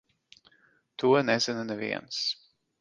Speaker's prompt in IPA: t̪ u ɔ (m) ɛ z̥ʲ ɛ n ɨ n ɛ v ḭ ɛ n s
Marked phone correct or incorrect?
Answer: incorrect